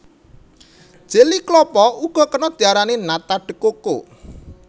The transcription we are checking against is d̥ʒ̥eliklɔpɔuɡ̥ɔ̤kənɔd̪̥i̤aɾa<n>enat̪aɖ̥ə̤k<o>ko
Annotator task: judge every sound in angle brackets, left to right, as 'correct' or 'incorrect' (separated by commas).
correct, correct